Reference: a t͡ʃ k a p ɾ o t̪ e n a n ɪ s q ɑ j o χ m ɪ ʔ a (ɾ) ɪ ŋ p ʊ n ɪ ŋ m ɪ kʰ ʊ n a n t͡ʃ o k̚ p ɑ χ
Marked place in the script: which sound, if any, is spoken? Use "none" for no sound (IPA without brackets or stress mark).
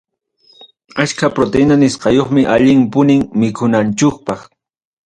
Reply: ʎ